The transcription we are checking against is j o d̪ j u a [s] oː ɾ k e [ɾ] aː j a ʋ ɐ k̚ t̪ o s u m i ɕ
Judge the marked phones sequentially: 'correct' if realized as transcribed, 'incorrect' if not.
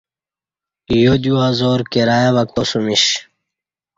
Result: incorrect, correct

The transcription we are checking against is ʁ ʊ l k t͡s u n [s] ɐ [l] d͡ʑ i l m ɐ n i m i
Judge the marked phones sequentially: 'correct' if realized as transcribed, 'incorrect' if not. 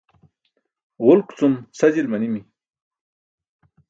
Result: correct, incorrect

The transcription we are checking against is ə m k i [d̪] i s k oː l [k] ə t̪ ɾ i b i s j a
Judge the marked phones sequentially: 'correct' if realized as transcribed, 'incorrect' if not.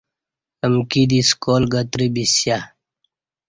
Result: correct, incorrect

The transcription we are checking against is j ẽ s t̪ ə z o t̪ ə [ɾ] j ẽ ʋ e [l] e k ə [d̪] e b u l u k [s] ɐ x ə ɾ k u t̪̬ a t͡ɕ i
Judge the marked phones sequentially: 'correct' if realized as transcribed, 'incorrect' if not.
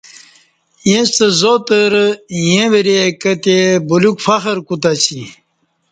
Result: correct, incorrect, incorrect, incorrect

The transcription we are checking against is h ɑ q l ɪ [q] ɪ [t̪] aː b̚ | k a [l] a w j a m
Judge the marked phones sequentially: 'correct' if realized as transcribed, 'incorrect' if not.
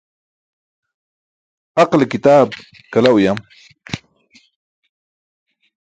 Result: incorrect, correct, correct

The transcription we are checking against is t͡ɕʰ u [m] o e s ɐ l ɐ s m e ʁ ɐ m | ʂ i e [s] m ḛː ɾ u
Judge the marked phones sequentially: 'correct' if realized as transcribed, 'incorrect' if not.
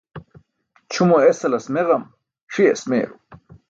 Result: correct, correct

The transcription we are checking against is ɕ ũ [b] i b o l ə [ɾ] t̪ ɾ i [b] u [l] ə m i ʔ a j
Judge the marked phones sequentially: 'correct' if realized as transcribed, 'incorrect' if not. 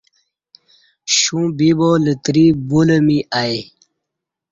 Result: correct, incorrect, correct, correct

